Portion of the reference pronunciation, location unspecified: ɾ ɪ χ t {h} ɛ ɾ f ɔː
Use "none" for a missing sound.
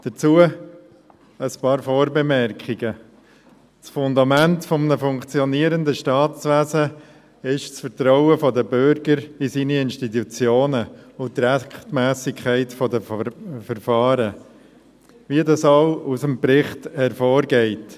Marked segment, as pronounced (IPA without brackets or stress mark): h